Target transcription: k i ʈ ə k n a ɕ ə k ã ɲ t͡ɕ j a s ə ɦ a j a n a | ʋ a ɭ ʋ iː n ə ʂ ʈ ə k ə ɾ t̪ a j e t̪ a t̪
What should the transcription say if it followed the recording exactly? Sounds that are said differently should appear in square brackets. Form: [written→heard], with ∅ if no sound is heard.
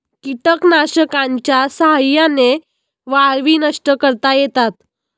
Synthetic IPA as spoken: k i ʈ ə k n a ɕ ə k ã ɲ t͡ɕ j a s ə ɦ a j a n [a→e] | ʋ a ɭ ʋ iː n ə ʂ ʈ ə k ə ɾ t̪ a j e t̪ a t̪